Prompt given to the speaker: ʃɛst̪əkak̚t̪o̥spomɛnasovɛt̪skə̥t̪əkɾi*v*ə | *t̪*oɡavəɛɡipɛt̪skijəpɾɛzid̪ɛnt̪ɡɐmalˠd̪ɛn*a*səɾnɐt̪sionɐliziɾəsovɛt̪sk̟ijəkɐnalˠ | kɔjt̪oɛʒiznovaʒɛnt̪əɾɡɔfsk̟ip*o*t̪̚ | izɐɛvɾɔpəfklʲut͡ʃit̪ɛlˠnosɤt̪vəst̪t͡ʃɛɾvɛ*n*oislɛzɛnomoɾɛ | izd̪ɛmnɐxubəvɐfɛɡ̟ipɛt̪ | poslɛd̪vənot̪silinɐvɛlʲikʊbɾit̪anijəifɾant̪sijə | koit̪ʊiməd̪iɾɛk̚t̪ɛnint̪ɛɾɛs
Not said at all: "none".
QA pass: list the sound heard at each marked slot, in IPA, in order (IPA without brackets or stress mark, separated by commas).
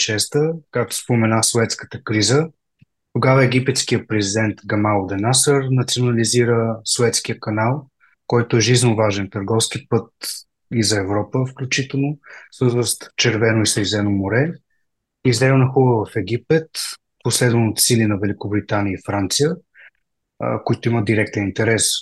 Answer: z, t̪, a, ɤ, n